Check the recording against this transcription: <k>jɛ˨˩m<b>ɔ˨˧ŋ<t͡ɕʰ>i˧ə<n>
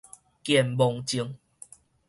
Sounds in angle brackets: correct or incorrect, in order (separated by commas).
correct, correct, incorrect, incorrect